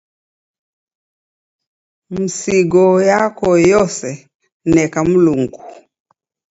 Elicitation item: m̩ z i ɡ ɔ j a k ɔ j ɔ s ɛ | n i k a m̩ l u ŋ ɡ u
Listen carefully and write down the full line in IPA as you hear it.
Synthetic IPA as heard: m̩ s i ɡ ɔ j a k ɔ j ɔ s ɛ | n ɛ k a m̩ l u ŋ ɡ u